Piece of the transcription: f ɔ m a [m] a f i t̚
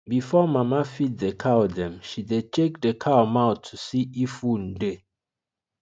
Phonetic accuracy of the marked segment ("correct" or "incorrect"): correct